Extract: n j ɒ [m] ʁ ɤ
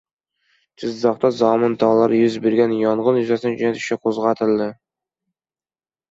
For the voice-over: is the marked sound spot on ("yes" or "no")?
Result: no